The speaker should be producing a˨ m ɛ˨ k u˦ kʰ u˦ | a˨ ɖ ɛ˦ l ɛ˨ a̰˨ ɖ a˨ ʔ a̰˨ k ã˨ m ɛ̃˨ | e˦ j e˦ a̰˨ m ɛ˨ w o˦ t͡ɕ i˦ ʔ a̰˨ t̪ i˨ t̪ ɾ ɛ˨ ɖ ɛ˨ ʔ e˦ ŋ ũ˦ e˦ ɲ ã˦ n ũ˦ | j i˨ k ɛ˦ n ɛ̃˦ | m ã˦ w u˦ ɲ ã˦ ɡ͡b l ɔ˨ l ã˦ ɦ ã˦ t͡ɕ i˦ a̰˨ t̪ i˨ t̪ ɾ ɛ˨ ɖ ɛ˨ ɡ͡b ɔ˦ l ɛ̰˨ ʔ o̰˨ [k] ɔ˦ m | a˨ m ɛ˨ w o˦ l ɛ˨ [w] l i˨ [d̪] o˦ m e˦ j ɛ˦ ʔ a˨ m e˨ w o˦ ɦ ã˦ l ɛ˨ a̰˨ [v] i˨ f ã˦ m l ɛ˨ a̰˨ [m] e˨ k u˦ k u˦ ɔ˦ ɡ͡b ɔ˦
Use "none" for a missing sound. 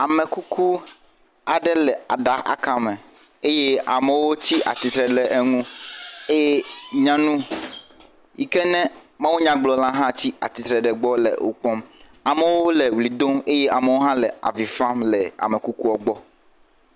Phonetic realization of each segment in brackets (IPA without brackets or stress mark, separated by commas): k͡p, w, d̪, v, m